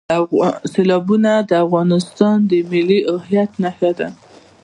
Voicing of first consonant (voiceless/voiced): voiceless